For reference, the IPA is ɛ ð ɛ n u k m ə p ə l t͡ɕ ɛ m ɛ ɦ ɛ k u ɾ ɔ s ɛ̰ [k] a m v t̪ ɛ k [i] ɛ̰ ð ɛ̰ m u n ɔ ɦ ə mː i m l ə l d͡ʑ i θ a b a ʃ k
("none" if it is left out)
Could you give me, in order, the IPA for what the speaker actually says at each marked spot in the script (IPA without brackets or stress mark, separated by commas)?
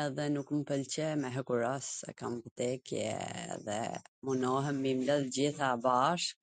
k, j